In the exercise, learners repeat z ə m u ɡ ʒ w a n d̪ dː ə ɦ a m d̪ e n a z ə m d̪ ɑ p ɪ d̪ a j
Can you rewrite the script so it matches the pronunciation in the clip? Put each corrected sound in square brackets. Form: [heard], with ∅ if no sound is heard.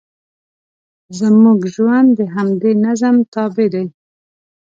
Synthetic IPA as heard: z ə m u ɡ ʒ w a n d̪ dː ə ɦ a m d̪ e n a z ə m [t̪] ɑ [b] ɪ d̪ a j

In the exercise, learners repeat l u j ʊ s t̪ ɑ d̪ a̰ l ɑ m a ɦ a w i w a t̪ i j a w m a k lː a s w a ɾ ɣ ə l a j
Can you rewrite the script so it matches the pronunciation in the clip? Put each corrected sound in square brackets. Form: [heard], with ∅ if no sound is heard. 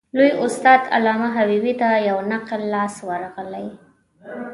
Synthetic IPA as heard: l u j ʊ s t̪ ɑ d̪ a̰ l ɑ m a ɦ a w i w [i] t̪ [a] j a w [n] a [q] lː [ɑ] s w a ɾ ɣ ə l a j

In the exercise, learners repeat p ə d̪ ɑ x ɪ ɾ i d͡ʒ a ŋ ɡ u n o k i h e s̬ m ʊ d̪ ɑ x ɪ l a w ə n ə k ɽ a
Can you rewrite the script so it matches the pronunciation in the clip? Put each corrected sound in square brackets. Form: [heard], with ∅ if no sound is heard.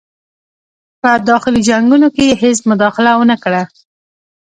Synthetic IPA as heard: p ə d̪ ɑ x ɪ [l] i d͡ʒ a ŋ ɡ u n o k [e] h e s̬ m ʊ d̪ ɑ x ɪ l a w ə n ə k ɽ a

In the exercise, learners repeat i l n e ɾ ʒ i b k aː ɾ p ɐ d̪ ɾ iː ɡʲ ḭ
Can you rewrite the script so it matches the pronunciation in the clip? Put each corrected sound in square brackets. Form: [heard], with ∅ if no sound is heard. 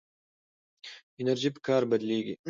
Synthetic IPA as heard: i [∅] n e ɾ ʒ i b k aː ɾ [b] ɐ d̪ [l] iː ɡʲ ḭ

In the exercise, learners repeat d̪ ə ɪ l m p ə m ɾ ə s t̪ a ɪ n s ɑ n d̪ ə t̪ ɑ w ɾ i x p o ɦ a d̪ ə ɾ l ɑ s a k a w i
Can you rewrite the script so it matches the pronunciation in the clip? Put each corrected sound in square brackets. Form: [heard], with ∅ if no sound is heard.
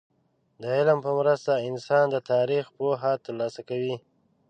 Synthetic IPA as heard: d̪ ə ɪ l m p ə m ɾ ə s t̪ a ɪ n s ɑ n d̪ ə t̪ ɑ [∅] ɾ i x p o ɦ a [t̪] ə ɾ l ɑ s a k a w i

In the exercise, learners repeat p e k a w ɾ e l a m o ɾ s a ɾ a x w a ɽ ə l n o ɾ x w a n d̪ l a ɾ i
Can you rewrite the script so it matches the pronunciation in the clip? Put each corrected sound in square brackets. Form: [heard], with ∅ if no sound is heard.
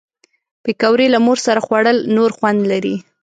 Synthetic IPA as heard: p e k a w ɾ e l a m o ɾ s a ɾ a x w a ɽ ə l n o ɾ x w a n d̪ l a ɾ i

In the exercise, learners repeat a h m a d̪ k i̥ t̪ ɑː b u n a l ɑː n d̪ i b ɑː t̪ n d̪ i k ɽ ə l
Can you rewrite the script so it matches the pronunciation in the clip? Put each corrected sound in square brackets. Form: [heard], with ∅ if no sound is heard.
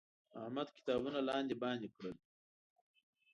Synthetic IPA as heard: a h m a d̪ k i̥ t̪ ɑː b u n a l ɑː n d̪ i b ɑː [∅] n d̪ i k ɽ ə l

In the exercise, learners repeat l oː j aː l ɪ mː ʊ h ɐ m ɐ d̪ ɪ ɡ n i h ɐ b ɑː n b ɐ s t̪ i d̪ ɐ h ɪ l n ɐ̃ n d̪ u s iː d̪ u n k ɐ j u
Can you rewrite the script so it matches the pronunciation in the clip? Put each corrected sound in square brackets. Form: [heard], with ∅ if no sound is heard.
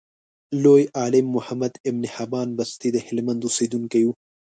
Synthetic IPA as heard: l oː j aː l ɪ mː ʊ h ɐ m ɐ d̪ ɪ [b] n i h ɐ b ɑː n b ɐ s t̪ i d̪ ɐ h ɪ l [m] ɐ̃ n d̪ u s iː d̪ u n k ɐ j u

